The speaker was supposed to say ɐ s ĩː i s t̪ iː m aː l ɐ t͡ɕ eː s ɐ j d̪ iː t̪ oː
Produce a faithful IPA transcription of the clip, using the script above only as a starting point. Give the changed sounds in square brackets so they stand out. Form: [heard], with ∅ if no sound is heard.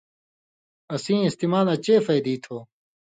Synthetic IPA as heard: ɐ s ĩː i s t̪ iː m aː l ɐ t͡ɕ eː [f] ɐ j d̪ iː [t̪ʰ] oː

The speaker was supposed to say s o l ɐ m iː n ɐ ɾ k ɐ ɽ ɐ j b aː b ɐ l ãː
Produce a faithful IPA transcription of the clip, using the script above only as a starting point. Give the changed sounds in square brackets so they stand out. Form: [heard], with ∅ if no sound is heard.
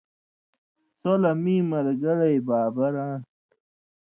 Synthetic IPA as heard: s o l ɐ m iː [m] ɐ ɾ [ɡ] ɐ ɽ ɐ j b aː b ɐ [ɾ] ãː

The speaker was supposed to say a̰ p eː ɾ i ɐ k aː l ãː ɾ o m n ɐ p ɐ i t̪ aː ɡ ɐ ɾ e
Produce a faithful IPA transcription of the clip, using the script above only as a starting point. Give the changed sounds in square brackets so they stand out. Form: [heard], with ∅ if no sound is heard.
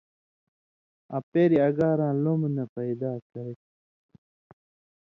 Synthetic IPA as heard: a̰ p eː ɾ i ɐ [ɡ] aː [ɾ] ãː [l] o m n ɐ p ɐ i [d̪] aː [k] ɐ ɾ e

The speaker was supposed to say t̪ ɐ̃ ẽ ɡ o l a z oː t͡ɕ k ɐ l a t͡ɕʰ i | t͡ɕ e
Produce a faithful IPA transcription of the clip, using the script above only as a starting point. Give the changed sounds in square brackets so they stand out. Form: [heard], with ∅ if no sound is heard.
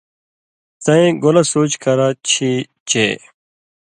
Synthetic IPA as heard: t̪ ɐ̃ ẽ ɡ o l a [s] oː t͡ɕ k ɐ [ɾ] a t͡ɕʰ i | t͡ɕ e

